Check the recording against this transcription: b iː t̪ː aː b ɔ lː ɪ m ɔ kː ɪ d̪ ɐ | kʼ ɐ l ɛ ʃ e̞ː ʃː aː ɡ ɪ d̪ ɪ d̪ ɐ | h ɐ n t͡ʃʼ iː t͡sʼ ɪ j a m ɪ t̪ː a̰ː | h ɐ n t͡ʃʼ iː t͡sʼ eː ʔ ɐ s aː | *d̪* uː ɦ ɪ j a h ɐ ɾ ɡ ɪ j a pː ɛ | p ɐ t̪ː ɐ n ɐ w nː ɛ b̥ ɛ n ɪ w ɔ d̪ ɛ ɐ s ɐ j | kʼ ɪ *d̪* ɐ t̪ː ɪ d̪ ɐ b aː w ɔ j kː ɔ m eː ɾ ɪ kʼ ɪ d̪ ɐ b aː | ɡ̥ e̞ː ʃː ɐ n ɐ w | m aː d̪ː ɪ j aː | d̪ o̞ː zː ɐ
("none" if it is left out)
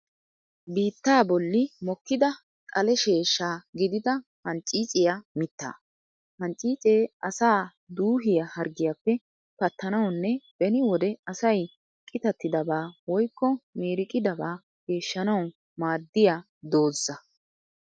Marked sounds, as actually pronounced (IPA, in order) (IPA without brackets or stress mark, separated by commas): d̪, t̪